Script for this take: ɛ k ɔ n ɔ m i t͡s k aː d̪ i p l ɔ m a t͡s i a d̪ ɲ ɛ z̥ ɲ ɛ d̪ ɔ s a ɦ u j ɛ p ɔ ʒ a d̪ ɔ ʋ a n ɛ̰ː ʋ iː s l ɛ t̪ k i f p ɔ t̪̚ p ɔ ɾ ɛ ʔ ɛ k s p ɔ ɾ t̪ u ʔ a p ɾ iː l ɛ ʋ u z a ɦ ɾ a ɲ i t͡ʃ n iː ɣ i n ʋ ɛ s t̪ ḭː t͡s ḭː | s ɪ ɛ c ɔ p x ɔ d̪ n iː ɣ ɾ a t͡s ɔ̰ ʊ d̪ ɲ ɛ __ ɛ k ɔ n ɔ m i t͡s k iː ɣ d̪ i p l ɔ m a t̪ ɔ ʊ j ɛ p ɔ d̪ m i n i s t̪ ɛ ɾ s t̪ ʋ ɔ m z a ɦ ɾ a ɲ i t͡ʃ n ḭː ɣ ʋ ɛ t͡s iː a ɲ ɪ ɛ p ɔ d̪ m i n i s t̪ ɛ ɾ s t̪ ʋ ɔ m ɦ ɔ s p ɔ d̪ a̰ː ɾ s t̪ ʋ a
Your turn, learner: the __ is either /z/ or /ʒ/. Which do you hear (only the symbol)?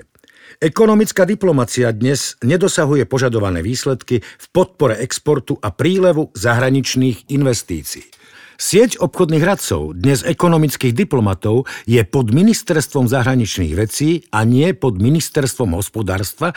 z